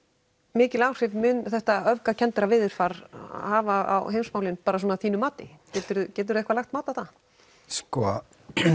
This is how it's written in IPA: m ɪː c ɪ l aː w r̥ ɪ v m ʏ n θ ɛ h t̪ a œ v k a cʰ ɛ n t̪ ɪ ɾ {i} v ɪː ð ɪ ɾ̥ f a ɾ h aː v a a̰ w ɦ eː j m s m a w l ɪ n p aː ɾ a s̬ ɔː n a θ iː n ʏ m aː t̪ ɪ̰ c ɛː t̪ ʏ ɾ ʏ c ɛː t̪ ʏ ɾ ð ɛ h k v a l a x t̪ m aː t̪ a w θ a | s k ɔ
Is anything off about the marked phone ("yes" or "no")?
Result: yes